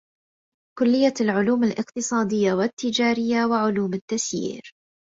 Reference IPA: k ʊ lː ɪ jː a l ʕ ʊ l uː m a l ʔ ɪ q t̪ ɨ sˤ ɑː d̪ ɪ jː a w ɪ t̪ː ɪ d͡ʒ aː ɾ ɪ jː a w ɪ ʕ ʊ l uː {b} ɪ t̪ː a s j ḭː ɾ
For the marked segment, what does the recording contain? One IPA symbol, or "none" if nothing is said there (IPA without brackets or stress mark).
m